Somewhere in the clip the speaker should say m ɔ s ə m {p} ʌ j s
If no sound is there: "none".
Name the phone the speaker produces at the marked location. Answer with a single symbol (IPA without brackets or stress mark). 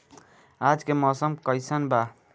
k